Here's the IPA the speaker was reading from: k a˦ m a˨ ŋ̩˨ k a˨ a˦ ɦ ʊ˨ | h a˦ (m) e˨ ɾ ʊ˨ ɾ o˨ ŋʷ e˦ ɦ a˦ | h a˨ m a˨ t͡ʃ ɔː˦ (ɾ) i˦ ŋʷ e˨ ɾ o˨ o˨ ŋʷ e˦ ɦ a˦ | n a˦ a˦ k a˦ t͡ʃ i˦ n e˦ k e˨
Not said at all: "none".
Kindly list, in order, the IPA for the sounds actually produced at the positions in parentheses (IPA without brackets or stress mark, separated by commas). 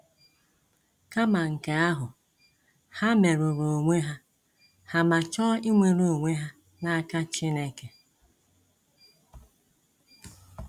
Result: m, none